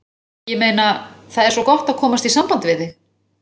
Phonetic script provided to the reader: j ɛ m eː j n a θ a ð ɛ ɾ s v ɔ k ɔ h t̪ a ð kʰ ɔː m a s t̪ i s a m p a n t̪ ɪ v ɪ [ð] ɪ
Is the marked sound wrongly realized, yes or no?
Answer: no